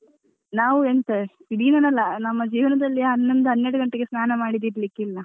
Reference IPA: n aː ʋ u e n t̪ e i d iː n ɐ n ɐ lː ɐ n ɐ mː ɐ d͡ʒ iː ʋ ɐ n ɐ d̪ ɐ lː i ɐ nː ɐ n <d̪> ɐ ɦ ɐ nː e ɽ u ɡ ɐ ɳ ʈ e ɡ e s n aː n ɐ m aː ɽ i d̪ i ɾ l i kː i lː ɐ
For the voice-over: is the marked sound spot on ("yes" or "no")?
yes